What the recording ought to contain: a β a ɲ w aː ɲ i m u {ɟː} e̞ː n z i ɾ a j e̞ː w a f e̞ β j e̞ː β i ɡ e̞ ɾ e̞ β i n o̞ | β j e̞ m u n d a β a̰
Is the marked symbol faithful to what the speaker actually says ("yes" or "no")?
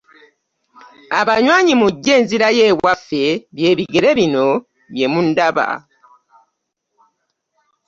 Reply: yes